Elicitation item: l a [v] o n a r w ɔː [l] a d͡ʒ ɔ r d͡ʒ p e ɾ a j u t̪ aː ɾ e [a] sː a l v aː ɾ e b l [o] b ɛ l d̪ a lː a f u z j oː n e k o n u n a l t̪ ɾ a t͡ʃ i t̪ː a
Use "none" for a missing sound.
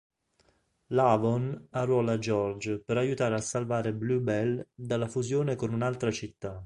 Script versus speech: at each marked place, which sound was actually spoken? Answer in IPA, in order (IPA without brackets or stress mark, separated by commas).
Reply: v, l, a, u